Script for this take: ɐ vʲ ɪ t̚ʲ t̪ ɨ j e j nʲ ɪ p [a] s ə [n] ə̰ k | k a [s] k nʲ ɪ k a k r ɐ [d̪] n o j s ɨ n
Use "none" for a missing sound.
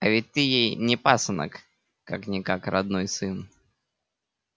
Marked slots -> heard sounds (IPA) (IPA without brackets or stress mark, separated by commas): a, n, none, d̪